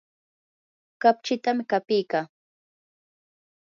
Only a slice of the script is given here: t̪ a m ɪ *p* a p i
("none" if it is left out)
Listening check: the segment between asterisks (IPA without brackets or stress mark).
k